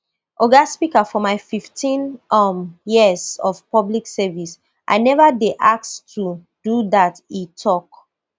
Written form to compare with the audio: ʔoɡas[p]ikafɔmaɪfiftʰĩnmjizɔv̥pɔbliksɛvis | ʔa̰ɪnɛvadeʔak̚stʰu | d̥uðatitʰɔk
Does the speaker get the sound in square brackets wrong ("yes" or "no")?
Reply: no